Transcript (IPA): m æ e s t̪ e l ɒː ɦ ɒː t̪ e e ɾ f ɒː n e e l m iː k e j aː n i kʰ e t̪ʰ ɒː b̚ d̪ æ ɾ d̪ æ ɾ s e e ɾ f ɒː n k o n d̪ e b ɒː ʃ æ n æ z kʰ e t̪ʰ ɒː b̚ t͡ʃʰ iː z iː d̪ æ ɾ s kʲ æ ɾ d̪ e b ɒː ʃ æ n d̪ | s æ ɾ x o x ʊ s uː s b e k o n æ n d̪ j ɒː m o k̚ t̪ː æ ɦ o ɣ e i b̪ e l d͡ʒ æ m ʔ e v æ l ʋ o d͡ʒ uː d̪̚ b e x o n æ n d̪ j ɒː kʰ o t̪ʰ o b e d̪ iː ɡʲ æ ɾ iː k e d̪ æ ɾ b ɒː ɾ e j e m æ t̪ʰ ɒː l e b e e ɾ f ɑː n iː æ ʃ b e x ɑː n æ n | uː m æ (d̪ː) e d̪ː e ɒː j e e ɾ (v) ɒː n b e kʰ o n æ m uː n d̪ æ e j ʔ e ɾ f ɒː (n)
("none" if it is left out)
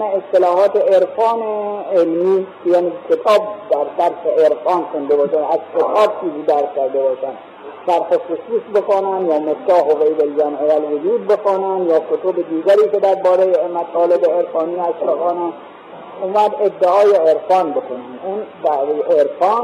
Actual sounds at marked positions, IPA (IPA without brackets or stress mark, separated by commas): d̪, f, n